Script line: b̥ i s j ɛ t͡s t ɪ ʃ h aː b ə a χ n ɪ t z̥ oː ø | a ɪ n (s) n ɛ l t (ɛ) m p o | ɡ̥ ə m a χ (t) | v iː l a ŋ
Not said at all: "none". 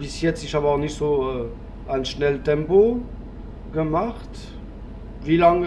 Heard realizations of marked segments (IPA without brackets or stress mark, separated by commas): ʃ, ɛ, t